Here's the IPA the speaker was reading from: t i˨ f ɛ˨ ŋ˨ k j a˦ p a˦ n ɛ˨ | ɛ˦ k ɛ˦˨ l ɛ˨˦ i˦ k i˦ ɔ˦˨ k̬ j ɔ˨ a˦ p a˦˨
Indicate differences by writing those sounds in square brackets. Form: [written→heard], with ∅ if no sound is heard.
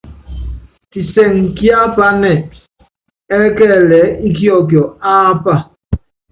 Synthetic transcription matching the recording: t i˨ [f→s] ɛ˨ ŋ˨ k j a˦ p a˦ n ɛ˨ | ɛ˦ k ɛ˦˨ l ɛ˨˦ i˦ k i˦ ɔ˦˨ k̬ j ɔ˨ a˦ p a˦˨